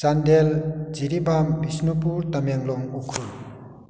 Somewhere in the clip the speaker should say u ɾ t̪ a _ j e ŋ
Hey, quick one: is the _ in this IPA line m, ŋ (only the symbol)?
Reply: m